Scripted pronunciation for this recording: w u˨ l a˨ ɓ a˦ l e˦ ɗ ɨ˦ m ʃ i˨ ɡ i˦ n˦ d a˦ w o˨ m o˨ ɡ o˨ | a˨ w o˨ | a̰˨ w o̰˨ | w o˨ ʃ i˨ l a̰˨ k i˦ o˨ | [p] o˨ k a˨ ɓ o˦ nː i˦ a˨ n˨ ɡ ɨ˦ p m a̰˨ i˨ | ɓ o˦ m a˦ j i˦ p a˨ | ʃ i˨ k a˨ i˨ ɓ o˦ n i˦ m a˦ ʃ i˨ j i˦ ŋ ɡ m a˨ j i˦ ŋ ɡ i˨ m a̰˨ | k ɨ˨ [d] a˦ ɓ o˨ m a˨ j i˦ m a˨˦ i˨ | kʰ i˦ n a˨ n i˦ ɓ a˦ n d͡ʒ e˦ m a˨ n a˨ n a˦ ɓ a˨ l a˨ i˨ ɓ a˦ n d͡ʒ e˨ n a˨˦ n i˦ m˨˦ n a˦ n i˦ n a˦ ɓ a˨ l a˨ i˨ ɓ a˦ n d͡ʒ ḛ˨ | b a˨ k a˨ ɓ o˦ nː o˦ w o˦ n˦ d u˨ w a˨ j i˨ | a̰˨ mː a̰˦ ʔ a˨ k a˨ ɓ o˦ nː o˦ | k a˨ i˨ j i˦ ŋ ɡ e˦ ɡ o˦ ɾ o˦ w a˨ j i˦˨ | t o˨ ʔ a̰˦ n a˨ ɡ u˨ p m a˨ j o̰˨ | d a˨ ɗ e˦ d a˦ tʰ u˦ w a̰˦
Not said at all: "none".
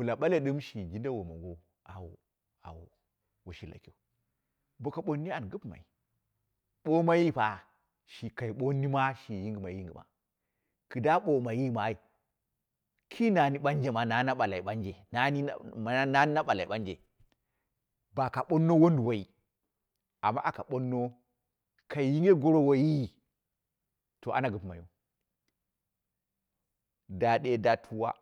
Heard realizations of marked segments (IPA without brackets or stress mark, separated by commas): b, d